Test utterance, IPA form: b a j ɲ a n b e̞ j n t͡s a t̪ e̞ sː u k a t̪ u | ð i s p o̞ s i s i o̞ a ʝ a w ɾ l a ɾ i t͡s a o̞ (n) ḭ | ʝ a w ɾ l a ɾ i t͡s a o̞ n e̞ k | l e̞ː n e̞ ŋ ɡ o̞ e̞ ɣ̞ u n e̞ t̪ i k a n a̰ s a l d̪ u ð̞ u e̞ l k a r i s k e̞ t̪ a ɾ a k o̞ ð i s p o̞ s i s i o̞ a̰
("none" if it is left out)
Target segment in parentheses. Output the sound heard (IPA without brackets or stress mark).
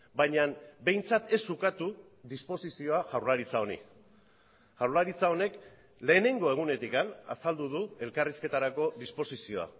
n